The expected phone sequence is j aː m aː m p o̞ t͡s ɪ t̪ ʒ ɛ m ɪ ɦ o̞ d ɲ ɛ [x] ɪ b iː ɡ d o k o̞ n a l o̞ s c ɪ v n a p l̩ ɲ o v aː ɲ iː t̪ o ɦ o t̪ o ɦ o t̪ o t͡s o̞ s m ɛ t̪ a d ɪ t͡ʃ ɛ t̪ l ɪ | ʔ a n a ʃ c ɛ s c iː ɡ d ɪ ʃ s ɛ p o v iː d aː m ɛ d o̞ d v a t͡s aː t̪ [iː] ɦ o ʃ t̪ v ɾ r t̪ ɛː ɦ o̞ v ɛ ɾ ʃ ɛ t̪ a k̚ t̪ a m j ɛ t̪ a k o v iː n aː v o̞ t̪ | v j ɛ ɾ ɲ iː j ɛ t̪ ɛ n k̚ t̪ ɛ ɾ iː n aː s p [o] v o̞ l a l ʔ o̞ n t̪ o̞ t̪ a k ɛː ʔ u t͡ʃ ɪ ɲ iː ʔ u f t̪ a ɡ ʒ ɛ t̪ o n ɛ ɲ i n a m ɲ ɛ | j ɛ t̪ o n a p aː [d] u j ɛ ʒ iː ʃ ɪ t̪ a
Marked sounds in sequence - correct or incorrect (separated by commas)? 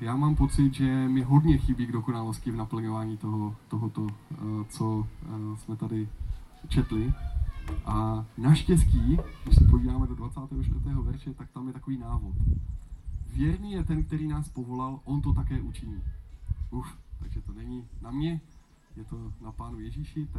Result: correct, incorrect, correct, incorrect